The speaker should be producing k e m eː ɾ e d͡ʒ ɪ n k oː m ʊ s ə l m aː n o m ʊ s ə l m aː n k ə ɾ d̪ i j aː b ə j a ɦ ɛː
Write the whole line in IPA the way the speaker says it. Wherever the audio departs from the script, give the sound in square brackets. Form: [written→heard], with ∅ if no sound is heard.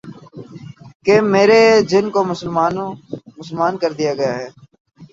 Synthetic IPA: k e m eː ɾ e d͡ʒ ɪ n k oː m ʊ s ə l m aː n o m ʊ s ə l m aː n k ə ɾ d̪ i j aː [b→ɡ] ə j a ɦ ɛː